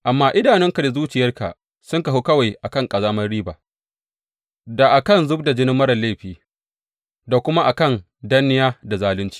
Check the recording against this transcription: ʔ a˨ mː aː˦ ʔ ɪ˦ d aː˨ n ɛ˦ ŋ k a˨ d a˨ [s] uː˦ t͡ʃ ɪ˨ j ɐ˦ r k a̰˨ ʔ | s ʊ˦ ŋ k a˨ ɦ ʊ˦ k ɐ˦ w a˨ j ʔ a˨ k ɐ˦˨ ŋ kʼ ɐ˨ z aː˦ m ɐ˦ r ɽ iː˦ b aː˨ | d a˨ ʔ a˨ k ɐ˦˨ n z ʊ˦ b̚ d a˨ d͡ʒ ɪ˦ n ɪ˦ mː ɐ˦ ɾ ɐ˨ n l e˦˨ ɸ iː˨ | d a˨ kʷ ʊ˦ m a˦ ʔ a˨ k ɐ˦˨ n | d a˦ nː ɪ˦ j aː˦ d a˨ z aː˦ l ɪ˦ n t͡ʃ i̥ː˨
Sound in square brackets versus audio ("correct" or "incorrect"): incorrect